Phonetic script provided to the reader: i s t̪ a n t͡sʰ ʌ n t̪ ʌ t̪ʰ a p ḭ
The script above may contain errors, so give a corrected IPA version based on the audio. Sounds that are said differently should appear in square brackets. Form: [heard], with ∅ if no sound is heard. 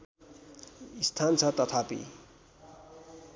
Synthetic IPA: i s [t̪ʰ] a n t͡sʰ ʌ [∅] t̪ ʌ t̪ʰ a p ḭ